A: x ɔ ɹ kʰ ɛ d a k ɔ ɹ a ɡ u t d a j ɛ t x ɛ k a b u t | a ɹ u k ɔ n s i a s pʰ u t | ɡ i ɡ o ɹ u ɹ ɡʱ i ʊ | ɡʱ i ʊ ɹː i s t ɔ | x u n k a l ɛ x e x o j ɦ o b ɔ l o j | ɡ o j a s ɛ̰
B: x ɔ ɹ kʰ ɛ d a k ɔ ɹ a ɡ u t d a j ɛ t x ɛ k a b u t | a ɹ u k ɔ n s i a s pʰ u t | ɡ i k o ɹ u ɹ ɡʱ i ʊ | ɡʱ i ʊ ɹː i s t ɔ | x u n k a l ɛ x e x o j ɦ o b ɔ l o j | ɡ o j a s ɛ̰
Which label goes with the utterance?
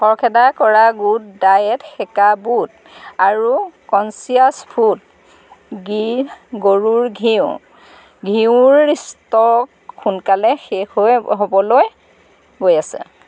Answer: A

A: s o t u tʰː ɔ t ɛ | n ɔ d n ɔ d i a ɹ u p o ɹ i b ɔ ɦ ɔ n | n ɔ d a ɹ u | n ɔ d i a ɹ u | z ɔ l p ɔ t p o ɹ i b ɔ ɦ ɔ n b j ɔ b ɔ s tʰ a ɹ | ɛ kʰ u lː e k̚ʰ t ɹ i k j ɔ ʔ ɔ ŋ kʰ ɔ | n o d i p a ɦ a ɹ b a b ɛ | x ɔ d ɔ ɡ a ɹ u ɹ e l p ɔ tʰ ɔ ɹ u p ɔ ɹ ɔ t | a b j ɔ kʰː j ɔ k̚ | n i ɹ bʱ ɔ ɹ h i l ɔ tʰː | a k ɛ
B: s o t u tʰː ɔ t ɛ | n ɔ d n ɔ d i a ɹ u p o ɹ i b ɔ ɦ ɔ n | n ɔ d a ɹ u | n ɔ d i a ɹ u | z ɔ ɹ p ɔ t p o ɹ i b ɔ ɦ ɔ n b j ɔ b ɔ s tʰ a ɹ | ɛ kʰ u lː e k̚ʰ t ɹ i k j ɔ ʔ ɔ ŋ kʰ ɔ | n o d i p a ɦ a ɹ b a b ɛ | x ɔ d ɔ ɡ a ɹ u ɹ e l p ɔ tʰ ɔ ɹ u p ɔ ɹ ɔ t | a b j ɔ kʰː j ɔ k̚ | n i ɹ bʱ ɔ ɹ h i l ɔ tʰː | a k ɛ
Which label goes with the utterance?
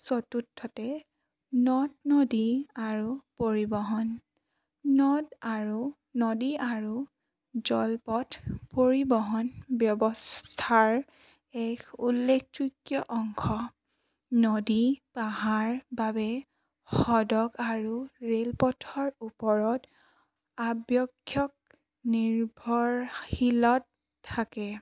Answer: A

